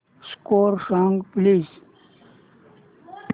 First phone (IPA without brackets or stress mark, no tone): s